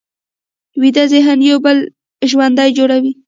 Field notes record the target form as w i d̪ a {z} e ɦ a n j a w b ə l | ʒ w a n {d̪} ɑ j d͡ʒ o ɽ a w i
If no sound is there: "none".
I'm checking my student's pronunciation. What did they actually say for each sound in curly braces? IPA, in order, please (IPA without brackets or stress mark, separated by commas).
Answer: z, d̪